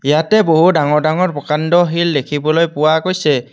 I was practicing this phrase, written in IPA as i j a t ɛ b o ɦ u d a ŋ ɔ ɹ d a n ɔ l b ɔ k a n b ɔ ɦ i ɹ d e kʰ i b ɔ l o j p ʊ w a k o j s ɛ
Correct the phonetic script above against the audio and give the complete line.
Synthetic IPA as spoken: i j a t ɛ b o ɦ u d a ŋ ɔ ɹ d a ŋ ɔ ɹ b ɔ k a n d ɔ ɦ i l d e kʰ i b ɔ l o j p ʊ w a k o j s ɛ